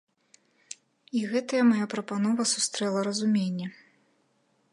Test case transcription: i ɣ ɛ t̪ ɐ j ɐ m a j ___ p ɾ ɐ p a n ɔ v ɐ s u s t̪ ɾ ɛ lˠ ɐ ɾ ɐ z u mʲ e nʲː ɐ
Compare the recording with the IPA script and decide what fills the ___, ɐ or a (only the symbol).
a